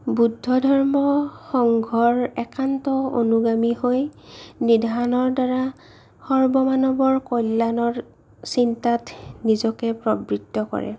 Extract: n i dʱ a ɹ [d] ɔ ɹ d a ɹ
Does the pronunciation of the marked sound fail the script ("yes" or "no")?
yes